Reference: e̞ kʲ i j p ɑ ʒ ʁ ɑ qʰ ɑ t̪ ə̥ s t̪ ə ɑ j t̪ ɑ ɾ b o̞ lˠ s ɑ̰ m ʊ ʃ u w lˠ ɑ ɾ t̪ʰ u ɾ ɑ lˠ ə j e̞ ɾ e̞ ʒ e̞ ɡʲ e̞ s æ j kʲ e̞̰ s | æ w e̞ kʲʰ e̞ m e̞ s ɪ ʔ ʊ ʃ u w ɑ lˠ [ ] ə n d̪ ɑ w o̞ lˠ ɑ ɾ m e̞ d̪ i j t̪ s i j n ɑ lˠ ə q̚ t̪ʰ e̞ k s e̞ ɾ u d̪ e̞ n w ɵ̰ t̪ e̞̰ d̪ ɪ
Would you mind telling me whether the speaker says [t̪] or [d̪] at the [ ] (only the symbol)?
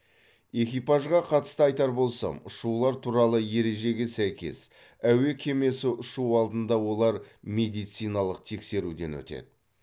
d̪